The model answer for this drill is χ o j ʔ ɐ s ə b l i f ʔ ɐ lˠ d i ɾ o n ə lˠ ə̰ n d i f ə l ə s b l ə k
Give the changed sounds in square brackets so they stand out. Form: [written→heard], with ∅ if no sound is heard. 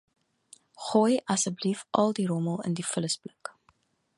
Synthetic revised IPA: χ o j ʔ ɐ s ə b l i f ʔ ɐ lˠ d i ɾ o [n→m] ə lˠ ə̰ n d i f ə l ə s b l ə k